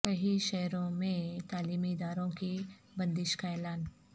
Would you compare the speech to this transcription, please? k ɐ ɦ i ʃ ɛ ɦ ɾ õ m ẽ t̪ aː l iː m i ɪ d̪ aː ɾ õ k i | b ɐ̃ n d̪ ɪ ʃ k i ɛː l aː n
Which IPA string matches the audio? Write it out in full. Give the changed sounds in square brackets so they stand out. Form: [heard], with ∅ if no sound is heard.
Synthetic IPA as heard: k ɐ ɦ i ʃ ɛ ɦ ɾ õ m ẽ t̪ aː l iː m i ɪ d̪ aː ɾ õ k i | b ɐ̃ n d̪ ɪ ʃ k [a] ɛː l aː n